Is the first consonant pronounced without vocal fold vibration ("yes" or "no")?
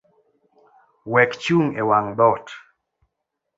no